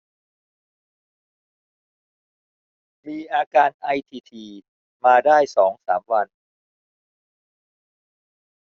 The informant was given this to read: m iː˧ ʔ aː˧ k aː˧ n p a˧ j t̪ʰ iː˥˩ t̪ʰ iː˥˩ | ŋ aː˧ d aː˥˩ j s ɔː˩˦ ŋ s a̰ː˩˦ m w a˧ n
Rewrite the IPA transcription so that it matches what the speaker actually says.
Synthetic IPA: m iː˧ ʔ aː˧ k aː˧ n ʔ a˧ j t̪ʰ iː˧ t̪ʰ iː˧ | m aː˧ d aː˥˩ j s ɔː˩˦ ŋ s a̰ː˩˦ m w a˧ n